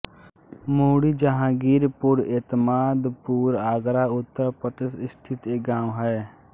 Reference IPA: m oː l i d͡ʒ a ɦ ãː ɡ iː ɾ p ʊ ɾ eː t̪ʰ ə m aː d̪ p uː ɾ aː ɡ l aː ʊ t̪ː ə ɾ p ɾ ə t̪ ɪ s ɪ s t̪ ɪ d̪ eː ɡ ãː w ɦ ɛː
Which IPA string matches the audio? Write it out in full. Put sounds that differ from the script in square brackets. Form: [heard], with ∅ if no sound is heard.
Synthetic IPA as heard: m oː [ɽ] i d͡ʒ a ɦ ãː ɡ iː ɾ p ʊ ɾ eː [t̪] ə m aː d̪ p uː ɾ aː ɡ [ɾ] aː ʊ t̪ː ə ɾ p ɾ ə t̪ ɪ s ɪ s [t̪ʰ] ɪ [t̪] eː ɡ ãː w ɦ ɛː

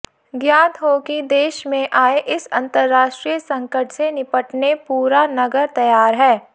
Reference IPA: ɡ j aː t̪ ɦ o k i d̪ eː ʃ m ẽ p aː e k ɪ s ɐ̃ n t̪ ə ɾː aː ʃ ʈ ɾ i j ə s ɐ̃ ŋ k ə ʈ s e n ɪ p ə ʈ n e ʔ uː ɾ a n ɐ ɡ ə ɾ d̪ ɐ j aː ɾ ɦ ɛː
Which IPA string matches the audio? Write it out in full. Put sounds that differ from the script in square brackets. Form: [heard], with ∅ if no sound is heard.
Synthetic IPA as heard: ɡ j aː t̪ ɦ o k i d̪ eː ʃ m ẽ [ʔ] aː e [ʔ] ɪ s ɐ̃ n t̪ ə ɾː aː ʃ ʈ ɾ i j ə s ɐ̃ ŋ k ə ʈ s e n ɪ p ə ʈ n e [p] uː ɾ a n ɐ ɡ ə ɾ [t̪] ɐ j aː ɾ ɦ ɛː

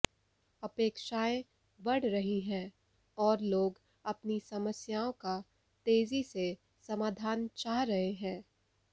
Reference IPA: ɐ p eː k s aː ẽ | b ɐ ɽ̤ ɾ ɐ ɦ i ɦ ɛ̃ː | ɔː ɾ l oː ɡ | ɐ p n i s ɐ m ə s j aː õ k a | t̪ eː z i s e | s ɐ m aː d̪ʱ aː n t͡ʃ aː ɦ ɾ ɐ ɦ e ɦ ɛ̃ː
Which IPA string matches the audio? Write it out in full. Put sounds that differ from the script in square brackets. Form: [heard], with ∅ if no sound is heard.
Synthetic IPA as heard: ɐ p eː k [ʃ] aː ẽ | b ɐ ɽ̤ ɾ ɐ ɦ i ɦ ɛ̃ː | ɔː ɾ l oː ɡ | ɐ p n i s ɐ m ə s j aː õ k a | t̪ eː z i s e | s ɐ m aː d̪ʱ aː n t͡ʃ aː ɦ ɾ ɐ ɦ e ɦ ɛ̃ː

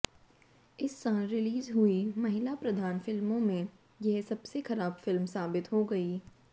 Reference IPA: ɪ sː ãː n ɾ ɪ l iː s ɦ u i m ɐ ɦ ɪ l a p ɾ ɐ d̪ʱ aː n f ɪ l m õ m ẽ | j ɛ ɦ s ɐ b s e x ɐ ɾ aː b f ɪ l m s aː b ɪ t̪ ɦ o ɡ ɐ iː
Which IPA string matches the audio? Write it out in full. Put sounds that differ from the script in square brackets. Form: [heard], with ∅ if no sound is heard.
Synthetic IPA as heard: ɪ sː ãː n ɾ ɪ l iː [z] ɦ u i m ɐ ɦ ɪ l a p ɾ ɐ d̪ʱ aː n f ɪ l m õ m ẽ | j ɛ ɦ s ɐ b s e x ɐ ɾ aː b f ɪ l m s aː b ɪ t̪ ɦ o ɡ ɐ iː

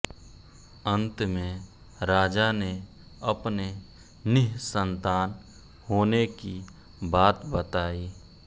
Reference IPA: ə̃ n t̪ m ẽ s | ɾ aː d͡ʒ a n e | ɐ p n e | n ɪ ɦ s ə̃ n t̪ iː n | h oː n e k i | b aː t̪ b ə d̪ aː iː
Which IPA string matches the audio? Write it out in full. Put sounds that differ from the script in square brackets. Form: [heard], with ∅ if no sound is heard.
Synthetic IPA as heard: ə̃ n t̪ m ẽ [∅] | ɾ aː d͡ʒ a n e | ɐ p n e | n ɪ ɦ s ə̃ n t̪ [aː] n | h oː n e k i | b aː t̪ b ə [t̪] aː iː

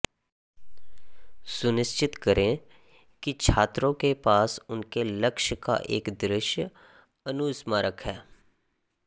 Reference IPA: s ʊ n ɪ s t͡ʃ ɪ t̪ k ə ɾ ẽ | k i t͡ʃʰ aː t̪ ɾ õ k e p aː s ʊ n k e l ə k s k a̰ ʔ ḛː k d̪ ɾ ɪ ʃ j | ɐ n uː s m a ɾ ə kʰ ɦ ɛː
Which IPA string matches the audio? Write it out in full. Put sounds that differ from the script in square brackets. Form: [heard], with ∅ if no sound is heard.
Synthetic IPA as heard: s ʊ n ɪ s t͡ʃ ɪ t̪ k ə ɾ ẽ | k i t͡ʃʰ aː t̪ ɾ õ k e p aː s ʊ n k e l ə k [ʃ] k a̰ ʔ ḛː k d̪ ɾ ɪ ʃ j | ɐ n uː s m a ɾ ə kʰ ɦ ɛː

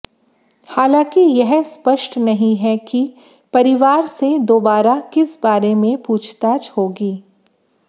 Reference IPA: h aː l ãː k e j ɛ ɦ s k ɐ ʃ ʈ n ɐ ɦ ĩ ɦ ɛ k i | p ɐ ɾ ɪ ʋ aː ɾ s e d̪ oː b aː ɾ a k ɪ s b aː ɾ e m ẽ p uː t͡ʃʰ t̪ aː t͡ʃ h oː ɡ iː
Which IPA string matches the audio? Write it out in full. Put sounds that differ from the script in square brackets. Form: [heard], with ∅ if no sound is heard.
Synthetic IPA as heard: h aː l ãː k [i] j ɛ ɦ s [p] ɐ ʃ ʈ n ɐ ɦ ĩ ɦ ɛ k i | p ɐ ɾ ɪ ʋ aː ɾ s e d̪ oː b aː ɾ a k ɪ s b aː ɾ e m ẽ p uː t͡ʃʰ t̪ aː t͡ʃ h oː ɡ iː

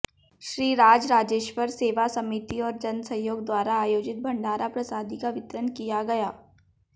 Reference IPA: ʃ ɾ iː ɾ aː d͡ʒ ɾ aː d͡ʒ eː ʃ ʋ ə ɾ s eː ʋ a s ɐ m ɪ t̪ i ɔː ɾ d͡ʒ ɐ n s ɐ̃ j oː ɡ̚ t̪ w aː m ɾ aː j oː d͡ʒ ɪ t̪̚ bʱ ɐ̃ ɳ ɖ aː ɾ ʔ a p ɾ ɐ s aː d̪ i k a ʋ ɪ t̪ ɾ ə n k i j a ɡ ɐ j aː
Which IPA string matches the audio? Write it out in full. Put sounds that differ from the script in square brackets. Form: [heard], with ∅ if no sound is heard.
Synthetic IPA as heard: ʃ ɾ iː ɾ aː d͡ʒ ɾ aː d͡ʒ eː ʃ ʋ ə ɾ s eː ʋ a s ɐ m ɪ t̪ i ɔː ɾ d͡ʒ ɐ n s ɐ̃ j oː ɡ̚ [d̪] w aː [∅] ɾ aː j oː d͡ʒ ɪ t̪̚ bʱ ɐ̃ ɳ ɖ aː ɾ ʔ a p ɾ ɐ s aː d̪ i k a ʋ ɪ t̪ ɾ ə n k i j a ɡ ɐ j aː

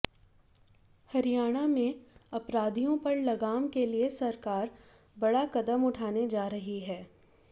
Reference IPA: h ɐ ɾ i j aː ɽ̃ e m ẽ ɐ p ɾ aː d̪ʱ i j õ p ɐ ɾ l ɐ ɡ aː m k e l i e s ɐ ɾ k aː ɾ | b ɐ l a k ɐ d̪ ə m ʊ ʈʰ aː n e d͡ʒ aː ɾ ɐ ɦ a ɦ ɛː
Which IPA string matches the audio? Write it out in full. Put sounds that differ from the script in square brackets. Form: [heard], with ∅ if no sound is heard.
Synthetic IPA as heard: h ɐ ɾ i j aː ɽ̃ [a] m ẽ ɐ p ɾ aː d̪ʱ i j õ p ɐ ɾ l ɐ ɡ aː m k e l i e s ɐ ɾ k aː ɾ | b ɐ [ɽ] a k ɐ d̪ ə m ʊ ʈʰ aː n e d͡ʒ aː ɾ ɐ ɦ [i] ɦ ɛː

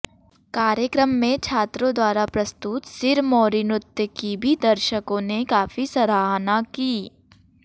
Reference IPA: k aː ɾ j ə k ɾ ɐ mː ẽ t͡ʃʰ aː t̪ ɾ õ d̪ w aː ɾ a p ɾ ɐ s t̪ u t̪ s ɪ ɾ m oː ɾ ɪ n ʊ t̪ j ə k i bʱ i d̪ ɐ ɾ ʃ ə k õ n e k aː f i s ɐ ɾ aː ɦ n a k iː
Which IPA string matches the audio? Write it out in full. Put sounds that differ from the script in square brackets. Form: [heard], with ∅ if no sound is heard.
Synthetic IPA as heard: k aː ɾ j ə k ɾ [ə] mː ẽ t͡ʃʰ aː t̪ ɾ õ d̪ w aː ɾ a p ɾ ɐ s t̪ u t̪ s ɪ ɾ m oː ɾ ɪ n ʊ t̪ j ə k i bʱ i d̪ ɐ ɾ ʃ ə k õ n e k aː f i s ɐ ɾ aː ɦ n a k iː

